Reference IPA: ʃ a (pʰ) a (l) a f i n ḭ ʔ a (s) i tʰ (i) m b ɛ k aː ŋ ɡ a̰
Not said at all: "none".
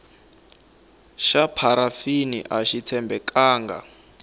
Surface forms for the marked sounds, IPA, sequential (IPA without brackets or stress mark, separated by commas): pʰ, ɾ, ʃ, ɛ